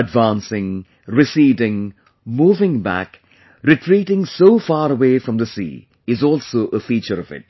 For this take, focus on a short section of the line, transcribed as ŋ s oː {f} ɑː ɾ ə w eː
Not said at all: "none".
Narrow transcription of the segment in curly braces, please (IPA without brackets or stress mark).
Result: f